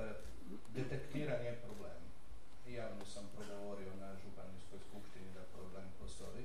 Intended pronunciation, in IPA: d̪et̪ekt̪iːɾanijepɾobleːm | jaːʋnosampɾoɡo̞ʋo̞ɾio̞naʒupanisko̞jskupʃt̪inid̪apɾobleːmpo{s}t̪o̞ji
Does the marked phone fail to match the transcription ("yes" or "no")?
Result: no